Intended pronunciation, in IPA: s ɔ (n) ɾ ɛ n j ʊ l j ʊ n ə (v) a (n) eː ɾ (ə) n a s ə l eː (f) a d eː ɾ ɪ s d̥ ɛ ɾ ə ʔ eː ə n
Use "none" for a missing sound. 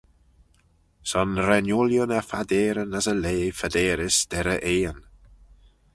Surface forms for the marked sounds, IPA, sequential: n, f, d, ə, f

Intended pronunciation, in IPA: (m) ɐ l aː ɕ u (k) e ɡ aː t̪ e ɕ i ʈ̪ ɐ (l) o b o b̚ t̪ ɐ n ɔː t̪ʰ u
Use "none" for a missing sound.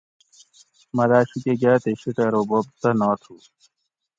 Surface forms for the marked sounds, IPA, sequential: m, k, ɾ

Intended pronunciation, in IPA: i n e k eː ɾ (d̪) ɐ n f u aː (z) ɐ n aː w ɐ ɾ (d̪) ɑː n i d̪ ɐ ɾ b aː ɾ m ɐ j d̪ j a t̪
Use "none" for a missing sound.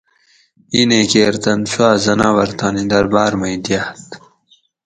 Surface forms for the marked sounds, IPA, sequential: t̪, z, t̪

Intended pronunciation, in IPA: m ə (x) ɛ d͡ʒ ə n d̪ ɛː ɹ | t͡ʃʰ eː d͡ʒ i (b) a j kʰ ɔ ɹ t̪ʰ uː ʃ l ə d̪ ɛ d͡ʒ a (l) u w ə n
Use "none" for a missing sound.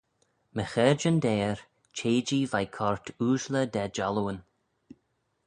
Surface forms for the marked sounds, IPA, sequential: x, v, l

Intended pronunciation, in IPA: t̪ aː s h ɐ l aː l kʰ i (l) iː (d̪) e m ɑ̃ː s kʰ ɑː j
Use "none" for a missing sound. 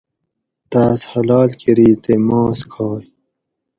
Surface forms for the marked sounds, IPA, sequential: ɾ, t̪

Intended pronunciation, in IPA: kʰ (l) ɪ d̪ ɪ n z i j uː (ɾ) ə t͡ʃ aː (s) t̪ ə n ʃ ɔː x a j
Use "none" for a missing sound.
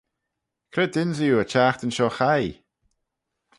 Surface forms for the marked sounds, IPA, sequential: ɾ, none, x

